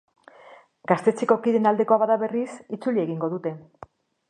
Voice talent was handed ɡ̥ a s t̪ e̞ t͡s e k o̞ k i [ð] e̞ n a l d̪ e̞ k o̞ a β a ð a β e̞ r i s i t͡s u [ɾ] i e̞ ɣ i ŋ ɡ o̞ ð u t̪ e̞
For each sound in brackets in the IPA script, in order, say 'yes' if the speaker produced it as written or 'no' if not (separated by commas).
yes, no